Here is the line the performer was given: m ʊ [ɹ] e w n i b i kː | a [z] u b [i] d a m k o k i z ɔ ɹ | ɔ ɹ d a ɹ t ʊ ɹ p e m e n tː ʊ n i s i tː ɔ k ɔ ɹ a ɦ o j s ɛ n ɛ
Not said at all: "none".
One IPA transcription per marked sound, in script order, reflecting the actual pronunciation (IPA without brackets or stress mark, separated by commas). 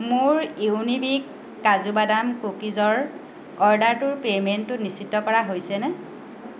ɹ, z, a